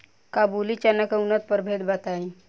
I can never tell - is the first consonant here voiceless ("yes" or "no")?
yes